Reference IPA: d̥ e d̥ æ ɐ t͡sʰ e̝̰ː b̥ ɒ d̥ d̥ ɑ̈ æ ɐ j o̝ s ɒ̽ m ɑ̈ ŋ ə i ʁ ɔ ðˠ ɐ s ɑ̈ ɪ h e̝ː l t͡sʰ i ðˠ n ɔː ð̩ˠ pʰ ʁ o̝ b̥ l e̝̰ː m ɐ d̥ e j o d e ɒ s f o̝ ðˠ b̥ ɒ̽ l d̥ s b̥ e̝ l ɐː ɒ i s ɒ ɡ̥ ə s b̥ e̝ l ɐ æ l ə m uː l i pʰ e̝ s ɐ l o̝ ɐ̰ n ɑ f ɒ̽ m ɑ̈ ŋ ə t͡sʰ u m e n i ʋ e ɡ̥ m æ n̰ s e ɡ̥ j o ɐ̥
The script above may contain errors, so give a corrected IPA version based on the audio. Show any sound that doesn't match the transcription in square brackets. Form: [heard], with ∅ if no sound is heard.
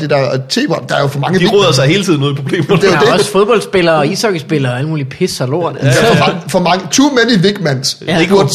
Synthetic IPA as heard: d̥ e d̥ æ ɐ t͡sʰ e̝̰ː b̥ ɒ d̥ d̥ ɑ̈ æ ɐ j o̝ [f] ɒ̽ m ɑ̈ ŋ ə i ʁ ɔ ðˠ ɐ s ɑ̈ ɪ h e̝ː l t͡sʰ i ðˠ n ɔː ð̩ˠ pʰ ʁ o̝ b̥ l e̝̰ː m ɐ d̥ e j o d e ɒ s f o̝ ðˠ b̥ ɒ̽ l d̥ s b̥ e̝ l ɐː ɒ i s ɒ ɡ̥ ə s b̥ e̝ l ɐ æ l ə m uː l i pʰ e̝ s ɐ l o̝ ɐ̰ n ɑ f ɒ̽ m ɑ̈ ŋ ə t͡sʰ u m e n i ʋ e ɡ̥ m æ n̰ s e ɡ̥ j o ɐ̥